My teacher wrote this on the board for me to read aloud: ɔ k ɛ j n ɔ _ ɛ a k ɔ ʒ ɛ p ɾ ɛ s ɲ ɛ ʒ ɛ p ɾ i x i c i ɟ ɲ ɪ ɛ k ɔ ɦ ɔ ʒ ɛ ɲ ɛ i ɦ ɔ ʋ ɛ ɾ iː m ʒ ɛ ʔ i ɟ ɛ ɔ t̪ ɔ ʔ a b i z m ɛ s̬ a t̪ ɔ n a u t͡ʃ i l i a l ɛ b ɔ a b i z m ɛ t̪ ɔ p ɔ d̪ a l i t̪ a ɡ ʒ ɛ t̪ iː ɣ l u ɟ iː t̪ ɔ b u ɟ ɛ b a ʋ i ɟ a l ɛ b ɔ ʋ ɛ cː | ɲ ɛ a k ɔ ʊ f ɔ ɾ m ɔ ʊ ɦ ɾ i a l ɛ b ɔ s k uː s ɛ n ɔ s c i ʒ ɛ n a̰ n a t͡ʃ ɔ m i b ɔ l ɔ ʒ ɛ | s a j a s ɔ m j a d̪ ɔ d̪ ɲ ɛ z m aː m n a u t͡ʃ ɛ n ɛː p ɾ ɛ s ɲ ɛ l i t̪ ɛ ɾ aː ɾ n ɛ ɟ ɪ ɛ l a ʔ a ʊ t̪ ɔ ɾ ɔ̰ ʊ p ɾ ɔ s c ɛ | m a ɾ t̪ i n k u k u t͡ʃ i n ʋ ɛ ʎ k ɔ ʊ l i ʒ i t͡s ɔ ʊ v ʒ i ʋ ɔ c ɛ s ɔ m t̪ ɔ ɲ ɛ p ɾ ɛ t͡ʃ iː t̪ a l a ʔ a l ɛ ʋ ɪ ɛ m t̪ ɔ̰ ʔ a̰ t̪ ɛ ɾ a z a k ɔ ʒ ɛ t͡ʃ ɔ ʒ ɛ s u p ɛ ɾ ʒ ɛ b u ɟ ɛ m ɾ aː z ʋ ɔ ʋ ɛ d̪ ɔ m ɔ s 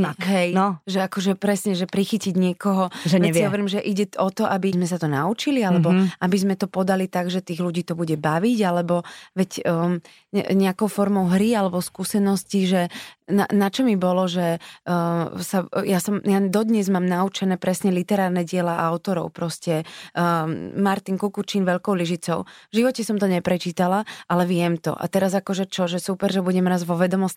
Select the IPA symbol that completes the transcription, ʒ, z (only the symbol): ʒ